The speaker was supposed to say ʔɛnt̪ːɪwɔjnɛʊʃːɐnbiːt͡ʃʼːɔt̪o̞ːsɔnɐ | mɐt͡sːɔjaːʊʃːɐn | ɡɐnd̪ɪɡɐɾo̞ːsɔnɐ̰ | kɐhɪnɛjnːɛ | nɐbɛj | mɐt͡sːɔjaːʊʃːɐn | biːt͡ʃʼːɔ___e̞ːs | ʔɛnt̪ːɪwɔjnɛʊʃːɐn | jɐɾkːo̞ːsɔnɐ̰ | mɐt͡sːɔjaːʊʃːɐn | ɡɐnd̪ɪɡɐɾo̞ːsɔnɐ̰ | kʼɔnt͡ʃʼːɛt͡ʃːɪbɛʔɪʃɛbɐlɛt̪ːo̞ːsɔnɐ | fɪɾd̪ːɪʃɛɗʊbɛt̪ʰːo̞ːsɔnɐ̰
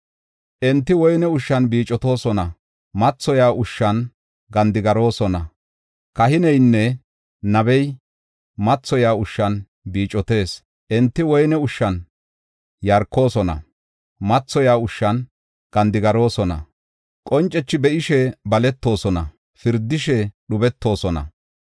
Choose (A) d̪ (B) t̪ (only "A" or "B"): B